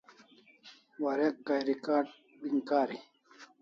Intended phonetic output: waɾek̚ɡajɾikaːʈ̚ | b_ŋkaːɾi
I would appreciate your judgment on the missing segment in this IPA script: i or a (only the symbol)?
i